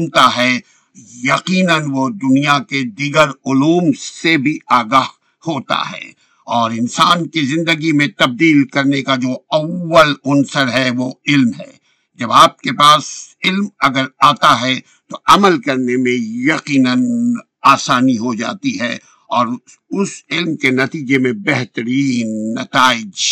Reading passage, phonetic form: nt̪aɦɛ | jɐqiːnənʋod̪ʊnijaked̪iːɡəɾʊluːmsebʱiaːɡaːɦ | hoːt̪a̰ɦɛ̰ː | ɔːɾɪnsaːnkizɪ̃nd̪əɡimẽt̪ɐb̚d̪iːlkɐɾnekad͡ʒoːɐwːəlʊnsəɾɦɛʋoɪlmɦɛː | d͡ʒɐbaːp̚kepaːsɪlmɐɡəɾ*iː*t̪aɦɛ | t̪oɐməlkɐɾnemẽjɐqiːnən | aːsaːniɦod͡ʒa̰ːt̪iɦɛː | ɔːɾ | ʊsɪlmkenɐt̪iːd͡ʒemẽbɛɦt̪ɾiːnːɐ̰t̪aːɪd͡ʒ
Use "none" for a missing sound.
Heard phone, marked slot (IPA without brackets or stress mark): aː